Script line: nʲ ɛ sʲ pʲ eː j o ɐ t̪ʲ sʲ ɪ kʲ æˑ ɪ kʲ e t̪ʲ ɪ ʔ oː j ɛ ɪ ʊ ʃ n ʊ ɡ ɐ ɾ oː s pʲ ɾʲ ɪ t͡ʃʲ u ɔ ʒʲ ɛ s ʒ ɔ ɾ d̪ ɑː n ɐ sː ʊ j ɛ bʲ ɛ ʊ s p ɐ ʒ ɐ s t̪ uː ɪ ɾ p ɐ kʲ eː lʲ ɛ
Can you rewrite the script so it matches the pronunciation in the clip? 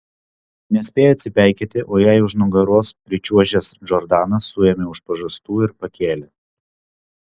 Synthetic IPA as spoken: nʲ ɛ sʲ pʲ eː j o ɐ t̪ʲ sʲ ɪ pʲ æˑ ɪ kʲ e t̪ʲ ɪ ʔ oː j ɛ ɪ ʊ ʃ n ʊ ɡ ɐ ɾ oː s pʲ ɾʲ ɪ t͡ʃʲ u ɔ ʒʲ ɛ s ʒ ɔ ɾ d̪ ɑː n ɐ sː ʊ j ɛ mʲ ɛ ʊ ʃ p ɐ ʒ ɐ s t̪ uː ɪ ɾ p ɐ kʲ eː lʲ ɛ